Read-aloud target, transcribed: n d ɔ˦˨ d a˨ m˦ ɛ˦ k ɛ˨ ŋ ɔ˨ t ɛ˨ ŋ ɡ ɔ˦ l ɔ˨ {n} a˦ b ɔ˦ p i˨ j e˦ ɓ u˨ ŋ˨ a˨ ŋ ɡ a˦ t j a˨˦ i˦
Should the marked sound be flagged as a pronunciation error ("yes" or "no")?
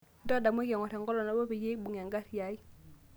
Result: no